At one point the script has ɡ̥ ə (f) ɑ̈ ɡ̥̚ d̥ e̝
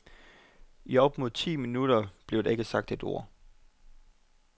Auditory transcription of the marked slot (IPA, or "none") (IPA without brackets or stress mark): s